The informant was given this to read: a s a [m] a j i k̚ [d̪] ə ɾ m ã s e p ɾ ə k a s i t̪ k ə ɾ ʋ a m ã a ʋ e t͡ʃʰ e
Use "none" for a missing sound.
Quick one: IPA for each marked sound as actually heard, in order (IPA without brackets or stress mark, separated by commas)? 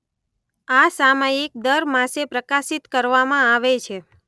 m, d̪